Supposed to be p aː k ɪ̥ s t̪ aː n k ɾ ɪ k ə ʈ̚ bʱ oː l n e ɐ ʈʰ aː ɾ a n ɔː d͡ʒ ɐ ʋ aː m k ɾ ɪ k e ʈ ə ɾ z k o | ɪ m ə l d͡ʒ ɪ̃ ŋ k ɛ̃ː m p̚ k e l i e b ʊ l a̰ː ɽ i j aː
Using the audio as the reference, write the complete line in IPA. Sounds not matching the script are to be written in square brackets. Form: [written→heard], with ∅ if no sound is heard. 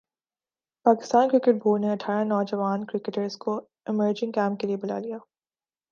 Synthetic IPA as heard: p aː k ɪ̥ s t̪ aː n k ɾ ɪ k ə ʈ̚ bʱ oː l n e ɐ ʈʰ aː ɾ a n ɔː d͡ʒ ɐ ʋ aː [m→n] k ɾ ɪ k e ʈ ə ɾ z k o | ɪ m ə [l→ɾ] d͡ʒ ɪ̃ ŋ k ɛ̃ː m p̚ k e l i e b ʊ l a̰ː [ɽ→l] i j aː